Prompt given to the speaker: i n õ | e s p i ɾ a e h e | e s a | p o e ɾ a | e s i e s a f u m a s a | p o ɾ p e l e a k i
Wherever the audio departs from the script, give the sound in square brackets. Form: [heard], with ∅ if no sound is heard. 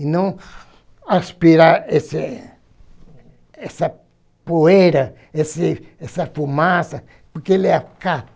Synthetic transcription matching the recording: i n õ | [a] s p i ɾ a e [s] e | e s a | p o e ɾ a | e s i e s a f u m a s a | p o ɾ [k] e l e a k [a]